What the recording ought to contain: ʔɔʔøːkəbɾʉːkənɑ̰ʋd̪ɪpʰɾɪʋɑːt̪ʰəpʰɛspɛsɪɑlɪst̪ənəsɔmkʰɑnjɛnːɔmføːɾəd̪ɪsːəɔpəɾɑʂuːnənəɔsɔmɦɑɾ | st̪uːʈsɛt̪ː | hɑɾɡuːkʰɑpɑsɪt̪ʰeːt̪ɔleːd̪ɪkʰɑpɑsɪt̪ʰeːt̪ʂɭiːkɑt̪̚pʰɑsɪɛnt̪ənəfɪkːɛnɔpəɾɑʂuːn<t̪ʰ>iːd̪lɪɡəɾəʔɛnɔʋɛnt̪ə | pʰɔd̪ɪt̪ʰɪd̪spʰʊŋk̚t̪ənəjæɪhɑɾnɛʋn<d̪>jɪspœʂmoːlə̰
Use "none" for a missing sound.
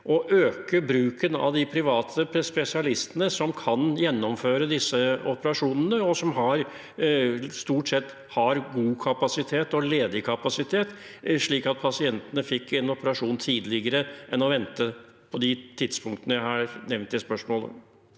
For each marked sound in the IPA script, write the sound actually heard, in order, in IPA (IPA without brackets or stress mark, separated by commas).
t̪ʰ, t̪